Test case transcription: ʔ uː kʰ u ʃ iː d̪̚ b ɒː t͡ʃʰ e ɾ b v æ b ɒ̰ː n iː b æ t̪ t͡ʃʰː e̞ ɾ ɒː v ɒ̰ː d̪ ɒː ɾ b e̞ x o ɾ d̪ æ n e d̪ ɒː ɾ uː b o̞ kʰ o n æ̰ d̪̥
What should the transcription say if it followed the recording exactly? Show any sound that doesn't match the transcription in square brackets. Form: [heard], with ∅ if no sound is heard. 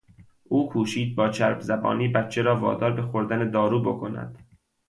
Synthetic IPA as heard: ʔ uː kʰ [uː] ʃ iː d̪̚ b ɒː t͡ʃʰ [æ] ɾ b [z] æ b ɒ̰ː n iː b æ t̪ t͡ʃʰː e̞ ɾ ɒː v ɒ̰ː d̪ ɒː ɾ b e̞ x o ɾ d̪ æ n e d̪ ɒː ɾ uː b o̞ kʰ o n æ̰ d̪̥